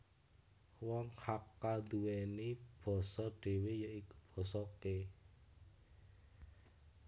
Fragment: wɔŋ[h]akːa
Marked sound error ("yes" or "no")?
no